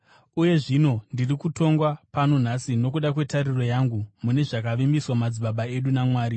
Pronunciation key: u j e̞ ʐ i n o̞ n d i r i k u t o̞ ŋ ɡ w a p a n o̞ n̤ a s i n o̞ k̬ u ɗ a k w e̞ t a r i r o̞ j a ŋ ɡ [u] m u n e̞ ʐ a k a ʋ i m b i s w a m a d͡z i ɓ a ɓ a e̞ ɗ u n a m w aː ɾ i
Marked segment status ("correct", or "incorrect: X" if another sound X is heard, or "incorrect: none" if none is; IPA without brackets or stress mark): correct